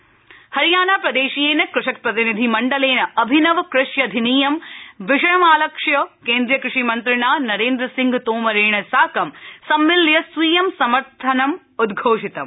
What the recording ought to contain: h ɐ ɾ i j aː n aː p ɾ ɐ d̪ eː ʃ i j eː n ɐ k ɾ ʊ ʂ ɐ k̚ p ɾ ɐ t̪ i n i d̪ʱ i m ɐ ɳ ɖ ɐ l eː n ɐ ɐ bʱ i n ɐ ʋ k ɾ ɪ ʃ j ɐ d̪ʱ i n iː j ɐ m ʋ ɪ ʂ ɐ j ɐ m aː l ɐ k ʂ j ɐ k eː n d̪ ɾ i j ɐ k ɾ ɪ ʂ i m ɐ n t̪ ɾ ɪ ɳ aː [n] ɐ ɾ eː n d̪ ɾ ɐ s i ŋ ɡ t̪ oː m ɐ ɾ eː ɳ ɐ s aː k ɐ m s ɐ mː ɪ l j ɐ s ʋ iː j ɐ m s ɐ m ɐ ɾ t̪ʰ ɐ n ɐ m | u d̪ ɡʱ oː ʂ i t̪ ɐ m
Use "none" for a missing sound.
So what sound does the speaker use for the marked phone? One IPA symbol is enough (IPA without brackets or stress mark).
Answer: n